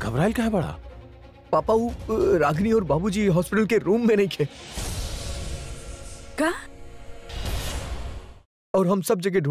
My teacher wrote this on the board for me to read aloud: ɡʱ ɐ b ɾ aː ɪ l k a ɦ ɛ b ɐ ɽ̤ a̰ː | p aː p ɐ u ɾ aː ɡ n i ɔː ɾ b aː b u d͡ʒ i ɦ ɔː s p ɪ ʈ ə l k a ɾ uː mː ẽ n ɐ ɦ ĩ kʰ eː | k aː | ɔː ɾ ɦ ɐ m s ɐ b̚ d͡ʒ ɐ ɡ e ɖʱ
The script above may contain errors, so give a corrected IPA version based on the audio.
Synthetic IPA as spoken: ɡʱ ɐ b ɾ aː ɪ l k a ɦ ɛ b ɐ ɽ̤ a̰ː | p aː p a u ɾ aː ɡ n i ɔː ɾ b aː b u d͡ʒ i ɦ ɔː s p ɪ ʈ ə l k e ɾ uː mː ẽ n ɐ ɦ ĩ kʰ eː | k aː | ɔː ɾ ɦ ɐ m s ɐ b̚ d͡ʒ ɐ ɡ e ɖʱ